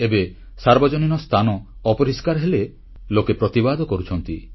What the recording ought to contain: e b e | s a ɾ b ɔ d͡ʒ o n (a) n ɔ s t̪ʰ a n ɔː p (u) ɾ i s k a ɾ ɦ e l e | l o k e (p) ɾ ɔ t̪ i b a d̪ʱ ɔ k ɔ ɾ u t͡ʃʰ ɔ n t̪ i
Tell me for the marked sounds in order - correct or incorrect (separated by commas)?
incorrect, incorrect, correct